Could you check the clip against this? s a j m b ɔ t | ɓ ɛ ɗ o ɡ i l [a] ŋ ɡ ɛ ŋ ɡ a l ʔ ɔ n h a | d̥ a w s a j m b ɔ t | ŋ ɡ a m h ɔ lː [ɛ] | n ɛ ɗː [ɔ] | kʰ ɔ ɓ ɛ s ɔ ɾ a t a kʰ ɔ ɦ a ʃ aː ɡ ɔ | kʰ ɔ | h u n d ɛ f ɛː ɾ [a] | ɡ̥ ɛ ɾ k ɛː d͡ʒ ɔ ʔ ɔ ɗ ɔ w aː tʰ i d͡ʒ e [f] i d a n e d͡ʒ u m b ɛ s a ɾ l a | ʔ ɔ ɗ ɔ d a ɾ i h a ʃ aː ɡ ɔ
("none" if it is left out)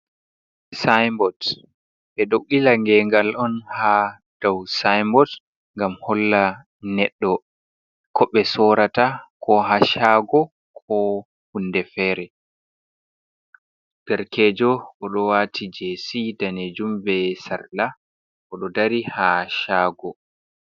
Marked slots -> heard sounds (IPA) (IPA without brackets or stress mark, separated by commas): a, a, ɔ, ɛ, s